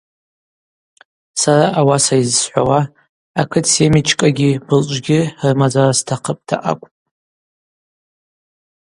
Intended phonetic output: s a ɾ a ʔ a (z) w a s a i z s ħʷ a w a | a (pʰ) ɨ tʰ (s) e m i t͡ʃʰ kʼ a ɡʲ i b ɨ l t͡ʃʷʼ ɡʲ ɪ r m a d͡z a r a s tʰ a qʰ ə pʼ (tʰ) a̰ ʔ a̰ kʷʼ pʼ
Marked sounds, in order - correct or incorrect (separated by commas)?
incorrect, incorrect, correct, correct